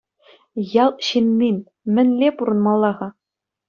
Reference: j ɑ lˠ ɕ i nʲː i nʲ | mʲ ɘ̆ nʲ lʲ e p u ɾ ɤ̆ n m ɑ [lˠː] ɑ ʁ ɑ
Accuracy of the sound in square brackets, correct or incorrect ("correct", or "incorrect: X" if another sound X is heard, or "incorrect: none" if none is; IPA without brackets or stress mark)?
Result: correct